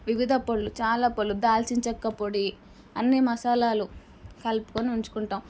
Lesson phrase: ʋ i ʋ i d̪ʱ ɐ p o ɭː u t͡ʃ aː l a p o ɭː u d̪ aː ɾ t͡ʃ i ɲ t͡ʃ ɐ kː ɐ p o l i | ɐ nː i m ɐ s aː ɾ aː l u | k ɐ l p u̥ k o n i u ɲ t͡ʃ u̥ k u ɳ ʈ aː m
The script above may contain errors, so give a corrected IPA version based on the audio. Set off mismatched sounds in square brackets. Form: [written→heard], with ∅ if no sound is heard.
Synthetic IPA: ʋ i ʋ i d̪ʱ ɐ p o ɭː u t͡ʃ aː l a p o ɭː u d̪ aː [ɾ→l] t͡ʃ i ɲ t͡ʃ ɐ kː ɐ p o [l→ɽ] i | ɐ nː i m ɐ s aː [ɾ→l] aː l u | k ɐ l p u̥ k o n i u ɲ t͡ʃ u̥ k u ɳ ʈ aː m